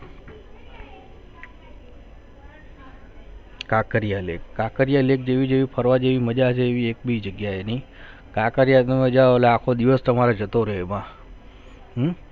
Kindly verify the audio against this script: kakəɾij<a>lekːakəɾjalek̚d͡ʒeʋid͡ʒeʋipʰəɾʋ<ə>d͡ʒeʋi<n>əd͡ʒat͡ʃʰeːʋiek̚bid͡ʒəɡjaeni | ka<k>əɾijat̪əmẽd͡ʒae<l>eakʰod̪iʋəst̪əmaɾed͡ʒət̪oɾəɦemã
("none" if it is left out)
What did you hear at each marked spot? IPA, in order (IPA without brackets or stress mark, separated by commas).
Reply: a, a, m, k, l